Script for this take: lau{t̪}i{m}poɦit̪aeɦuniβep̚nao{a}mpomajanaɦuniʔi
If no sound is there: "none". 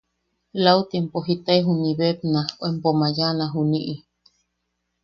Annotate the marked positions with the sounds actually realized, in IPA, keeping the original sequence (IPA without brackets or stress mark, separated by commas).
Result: t̪, m, e